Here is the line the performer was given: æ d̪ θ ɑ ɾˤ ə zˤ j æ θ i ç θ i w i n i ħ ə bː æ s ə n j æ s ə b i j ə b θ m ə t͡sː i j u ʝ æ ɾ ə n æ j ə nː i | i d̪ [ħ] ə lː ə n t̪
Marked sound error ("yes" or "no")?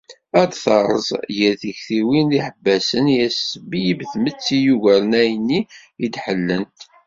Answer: no